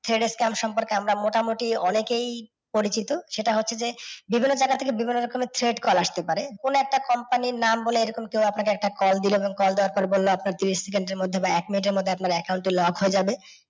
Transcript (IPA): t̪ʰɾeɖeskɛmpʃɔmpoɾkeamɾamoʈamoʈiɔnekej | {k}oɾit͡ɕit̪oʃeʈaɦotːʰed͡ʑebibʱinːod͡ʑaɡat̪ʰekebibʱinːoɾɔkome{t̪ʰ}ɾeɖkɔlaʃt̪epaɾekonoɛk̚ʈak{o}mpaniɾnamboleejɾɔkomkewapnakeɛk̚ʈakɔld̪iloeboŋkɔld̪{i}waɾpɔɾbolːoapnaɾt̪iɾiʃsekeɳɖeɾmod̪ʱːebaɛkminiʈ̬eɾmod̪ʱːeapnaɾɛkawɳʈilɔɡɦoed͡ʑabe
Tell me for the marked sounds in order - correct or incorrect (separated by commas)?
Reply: incorrect, correct, incorrect, incorrect